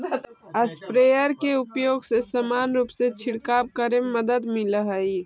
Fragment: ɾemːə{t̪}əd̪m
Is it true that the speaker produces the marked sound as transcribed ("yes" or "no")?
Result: no